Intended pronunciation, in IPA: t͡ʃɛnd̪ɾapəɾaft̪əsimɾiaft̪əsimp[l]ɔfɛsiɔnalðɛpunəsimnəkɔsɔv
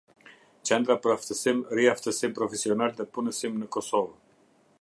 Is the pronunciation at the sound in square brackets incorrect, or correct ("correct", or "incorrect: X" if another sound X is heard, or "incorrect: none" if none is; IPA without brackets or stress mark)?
incorrect: ɾ